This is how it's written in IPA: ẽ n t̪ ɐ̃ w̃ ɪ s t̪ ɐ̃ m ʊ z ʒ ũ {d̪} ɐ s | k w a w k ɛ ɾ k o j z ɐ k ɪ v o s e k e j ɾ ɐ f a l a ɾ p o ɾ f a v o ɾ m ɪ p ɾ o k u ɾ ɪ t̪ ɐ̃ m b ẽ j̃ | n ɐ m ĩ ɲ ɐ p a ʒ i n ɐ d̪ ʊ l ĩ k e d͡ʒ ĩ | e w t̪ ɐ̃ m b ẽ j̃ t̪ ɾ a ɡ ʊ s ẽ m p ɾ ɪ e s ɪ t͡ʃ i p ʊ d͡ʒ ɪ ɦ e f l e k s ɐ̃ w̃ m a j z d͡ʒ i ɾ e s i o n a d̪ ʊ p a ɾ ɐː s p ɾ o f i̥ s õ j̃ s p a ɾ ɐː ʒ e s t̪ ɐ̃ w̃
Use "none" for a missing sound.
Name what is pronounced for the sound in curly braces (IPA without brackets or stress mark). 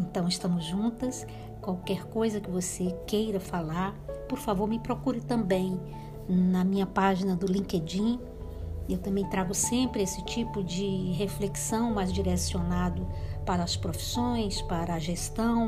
t̪